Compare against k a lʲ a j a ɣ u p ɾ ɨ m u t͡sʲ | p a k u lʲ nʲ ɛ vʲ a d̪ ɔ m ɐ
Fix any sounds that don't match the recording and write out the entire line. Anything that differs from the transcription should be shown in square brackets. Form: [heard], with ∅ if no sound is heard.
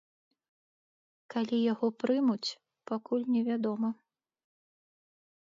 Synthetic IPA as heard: k a lʲ [i] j a ɣ [ɔ] p ɾ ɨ m u t͡sʲ | p a k u lʲ nʲ ɛ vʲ a d̪ ɔ m ɐ